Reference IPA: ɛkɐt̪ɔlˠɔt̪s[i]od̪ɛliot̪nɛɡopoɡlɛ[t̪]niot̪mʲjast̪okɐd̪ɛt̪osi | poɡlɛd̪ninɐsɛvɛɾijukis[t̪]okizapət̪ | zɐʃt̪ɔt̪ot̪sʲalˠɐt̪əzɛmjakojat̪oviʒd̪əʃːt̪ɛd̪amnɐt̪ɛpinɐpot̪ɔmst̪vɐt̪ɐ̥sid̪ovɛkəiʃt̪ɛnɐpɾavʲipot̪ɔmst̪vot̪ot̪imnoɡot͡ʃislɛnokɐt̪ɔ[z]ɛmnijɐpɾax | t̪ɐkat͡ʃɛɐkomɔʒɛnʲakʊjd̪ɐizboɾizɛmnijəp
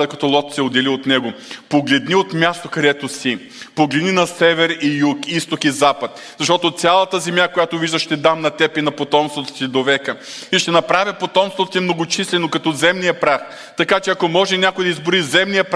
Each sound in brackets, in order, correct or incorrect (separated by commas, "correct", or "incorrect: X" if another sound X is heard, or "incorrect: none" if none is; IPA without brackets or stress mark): incorrect: ɛ, incorrect: d̪, correct, correct